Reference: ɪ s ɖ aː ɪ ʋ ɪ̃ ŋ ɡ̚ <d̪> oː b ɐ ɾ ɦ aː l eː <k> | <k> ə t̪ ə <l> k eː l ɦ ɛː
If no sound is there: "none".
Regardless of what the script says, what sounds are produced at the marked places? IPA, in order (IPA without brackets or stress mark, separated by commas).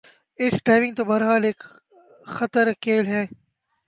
t̪, k, x, ɾ